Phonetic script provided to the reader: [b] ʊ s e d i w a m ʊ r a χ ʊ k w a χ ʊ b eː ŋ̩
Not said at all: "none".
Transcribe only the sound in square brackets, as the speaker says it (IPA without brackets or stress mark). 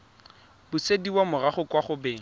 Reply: b